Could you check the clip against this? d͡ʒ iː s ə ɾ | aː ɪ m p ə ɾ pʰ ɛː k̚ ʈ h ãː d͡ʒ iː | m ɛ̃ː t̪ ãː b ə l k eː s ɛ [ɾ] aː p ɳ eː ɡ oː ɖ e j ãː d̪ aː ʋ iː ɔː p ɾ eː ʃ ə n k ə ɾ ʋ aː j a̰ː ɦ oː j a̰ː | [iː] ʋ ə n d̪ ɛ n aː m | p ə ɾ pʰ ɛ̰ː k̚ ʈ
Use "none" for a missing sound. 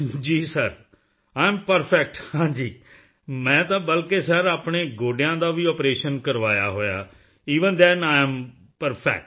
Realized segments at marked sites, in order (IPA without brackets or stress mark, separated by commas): ɾ, iː